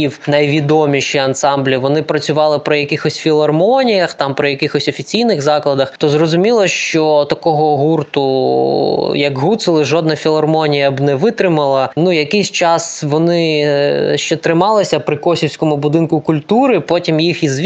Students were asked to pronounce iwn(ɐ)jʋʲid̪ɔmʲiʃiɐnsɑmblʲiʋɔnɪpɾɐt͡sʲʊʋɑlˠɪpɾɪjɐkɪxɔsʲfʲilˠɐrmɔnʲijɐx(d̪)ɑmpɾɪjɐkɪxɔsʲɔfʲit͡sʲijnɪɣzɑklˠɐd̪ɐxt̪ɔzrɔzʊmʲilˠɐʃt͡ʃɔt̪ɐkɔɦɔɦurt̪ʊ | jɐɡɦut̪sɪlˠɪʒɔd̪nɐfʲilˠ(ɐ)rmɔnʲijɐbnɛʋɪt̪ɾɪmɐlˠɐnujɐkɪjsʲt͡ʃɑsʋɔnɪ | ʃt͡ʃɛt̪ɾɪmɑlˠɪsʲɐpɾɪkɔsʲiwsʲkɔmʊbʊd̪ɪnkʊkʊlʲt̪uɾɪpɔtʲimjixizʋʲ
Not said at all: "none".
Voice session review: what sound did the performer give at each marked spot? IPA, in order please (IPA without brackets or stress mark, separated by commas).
ɐ, t̪, ɐ